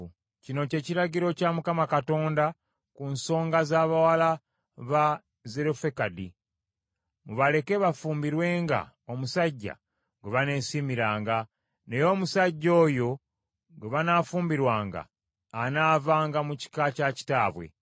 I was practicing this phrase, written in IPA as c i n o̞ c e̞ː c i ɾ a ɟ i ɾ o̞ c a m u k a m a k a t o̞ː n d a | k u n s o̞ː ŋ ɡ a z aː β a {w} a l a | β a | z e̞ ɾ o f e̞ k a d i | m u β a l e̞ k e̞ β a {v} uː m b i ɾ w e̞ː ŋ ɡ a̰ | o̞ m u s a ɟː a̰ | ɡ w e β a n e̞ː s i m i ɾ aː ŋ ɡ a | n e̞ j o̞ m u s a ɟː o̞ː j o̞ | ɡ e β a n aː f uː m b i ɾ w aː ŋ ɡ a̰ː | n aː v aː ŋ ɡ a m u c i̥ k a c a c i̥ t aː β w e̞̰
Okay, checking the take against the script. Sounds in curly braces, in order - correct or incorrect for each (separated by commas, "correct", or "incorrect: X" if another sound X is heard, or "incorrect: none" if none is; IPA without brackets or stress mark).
correct, incorrect: f